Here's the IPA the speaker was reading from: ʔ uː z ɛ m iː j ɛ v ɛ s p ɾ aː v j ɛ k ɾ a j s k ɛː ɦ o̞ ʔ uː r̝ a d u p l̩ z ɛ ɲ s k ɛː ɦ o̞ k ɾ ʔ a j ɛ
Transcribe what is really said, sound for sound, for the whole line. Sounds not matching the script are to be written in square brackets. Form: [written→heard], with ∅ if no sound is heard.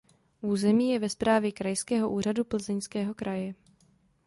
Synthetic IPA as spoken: ʔ uː z ɛ m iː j ɛ v ɛ s p ɾ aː v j ɛ k ɾ a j s k ɛː ɦ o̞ ʔ uː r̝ a d u p l̩ z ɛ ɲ s k ɛː ɦ o̞ k ɾ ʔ a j ɛ